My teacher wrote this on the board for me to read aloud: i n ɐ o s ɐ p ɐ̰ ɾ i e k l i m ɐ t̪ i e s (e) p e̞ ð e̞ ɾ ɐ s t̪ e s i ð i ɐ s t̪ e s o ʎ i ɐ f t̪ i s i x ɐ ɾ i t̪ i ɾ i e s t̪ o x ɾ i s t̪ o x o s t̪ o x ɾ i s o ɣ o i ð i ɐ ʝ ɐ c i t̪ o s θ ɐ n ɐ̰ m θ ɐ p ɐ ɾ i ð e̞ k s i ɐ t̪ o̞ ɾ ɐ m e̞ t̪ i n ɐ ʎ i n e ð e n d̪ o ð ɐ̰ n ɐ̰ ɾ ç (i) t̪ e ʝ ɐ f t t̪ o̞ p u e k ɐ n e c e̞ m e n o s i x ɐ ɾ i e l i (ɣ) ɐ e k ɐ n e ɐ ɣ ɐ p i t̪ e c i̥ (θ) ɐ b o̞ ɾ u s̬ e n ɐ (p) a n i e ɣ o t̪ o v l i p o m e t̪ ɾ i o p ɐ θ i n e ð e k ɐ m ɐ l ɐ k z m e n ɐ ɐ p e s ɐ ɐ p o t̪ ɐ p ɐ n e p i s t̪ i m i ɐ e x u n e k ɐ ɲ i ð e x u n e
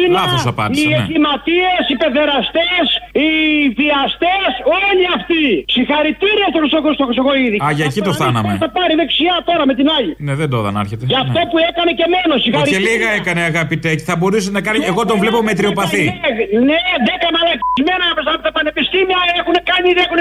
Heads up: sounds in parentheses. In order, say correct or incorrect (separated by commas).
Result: incorrect, incorrect, correct, correct, incorrect